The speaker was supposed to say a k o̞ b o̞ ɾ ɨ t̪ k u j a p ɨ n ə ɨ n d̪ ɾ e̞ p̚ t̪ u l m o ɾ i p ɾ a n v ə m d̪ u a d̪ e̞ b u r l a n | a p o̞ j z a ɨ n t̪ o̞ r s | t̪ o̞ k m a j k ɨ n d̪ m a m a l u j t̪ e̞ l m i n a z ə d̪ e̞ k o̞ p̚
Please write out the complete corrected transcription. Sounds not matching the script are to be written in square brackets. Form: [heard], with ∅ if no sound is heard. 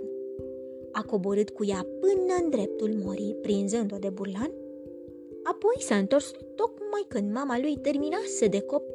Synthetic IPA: a k o̞ b o̞ ɾ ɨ t̪ k u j a p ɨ n ə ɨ n d̪ ɾ e̞ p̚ t̪ u l m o ɾ i p ɾ [i] n [z] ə [n] d̪ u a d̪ e̞ b u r l a n | a p o̞ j [s] a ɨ n t̪ o̞ r s | t̪ o̞ k m a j k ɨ n d̪ m a m a l u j t̪ e̞ [r] m i n a [s] ə d̪ e̞ k o̞ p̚